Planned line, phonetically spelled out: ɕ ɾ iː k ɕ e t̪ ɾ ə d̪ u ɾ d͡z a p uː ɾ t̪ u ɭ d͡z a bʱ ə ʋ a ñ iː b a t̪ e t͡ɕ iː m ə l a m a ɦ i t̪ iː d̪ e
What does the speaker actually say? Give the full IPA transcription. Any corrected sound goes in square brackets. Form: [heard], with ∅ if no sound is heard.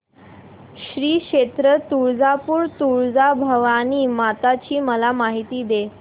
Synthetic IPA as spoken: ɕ ɾ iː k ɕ e t̪ ɾ ə [t̪] u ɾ d͡z a p uː ɾ t̪ u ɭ d͡z a bʱ ə ʋ a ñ iː [m] a t̪ [a] t͡ɕ iː m ə l a m a ɦ i t̪ iː d̪ e